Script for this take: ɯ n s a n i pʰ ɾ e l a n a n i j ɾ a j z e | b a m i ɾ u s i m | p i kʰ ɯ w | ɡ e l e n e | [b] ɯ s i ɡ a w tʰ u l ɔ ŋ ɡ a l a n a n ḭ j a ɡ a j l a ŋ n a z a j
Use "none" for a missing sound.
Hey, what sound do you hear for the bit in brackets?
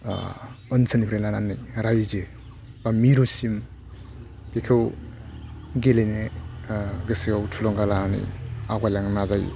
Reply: ɡ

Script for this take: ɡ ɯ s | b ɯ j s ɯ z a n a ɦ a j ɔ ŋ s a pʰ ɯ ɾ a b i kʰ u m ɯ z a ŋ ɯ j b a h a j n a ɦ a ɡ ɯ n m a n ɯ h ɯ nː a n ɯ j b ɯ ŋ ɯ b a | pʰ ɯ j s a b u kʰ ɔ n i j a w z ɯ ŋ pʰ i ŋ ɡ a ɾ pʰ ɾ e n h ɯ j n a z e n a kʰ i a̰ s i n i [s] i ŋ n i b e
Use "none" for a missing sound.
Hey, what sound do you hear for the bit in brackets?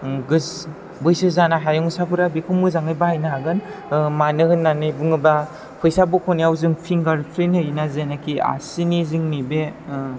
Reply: z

